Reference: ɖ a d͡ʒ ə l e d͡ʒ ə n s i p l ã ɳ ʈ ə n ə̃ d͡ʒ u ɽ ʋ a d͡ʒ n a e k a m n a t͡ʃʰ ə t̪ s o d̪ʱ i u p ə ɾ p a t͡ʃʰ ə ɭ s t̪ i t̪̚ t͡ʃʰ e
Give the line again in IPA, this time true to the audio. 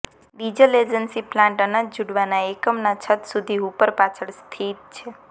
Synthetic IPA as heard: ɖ i d͡ʒ ə l e d͡ʒ ə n s i p l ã ɳ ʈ ə n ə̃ d͡ʒ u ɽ ʋ a n a e k ə m n a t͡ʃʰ ə t̪ s u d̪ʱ i u p ə ɾ p a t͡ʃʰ ə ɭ s t̪ʰ i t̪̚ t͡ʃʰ e